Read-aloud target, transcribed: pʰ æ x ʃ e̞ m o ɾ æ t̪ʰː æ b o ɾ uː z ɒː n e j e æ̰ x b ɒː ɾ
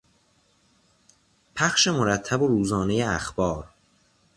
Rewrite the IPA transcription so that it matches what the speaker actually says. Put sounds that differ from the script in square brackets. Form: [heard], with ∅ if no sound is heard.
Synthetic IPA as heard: pʰ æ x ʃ e̞ m o ɾ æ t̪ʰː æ b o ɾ uː z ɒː n e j e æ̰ x b ɒː ɾ